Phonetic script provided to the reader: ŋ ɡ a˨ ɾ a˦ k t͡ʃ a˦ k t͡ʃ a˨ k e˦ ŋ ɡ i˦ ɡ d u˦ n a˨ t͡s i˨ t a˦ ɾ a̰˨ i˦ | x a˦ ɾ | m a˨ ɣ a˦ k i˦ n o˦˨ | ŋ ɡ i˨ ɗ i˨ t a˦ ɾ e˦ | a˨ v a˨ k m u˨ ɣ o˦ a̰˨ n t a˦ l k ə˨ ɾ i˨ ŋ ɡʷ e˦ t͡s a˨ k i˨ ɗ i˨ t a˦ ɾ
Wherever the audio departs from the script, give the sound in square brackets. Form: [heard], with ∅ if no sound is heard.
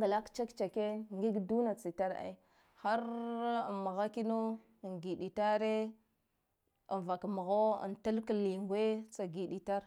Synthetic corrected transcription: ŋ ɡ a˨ [l] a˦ k t͡ʃ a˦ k t͡ʃ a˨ k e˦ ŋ ɡ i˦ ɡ d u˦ n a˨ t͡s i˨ t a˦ ɾ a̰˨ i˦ | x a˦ ɾ | m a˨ ɣ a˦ k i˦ n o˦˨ | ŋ ɡ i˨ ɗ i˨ t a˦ ɾ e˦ | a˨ v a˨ k m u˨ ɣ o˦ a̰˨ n t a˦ l k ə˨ [l] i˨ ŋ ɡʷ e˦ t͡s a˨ [ɡ] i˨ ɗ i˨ t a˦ ɾ